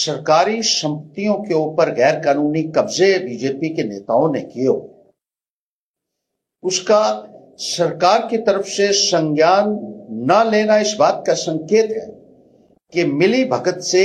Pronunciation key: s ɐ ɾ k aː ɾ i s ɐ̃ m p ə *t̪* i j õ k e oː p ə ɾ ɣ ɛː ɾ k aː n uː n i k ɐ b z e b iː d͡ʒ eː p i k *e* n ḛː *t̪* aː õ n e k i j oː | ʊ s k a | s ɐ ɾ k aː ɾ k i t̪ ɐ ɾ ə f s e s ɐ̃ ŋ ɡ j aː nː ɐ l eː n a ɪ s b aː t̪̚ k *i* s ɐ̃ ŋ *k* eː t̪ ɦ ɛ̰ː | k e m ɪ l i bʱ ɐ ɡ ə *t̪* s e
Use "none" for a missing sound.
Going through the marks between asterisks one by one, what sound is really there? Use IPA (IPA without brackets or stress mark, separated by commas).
t̪, e, t̪, a, k, t̪